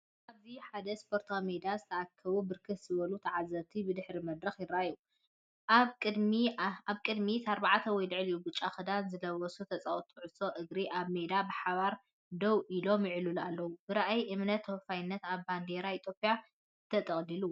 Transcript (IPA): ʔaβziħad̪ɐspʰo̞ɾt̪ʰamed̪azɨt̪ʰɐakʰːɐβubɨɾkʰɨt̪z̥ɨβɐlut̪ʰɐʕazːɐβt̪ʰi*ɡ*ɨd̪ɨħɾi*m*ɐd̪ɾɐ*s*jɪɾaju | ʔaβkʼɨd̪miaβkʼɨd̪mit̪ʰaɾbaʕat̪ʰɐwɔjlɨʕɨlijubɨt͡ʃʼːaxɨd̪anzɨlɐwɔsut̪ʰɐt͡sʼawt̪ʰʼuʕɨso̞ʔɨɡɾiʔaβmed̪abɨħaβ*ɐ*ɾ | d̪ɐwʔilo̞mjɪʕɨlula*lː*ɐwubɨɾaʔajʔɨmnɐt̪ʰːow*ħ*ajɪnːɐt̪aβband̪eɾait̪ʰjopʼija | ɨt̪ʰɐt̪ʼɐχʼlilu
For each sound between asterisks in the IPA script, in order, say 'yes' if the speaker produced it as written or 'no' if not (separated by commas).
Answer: no, yes, no, no, yes, no